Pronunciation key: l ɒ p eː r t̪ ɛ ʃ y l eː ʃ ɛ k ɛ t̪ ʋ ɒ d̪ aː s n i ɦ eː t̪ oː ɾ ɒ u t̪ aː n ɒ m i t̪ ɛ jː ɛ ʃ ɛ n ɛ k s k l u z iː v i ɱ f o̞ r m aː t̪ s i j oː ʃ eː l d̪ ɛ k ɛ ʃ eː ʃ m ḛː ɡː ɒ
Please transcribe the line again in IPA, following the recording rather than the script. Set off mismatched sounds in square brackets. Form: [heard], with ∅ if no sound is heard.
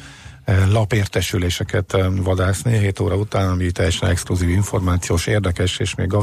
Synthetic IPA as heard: l ɒ p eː r t̪ ɛ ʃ y l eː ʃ ɛ k ɛ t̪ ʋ ɒ d̪ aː s n i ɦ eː t̪ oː ɾ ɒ u t̪ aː n ɒ m i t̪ ɛ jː ɛ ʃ ɛ n ɛ k s k l u z iː v i ɱ f o̞ r m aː t̪ s i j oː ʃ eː [r] d̪ ɛ k ɛ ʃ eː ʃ m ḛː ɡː ɒ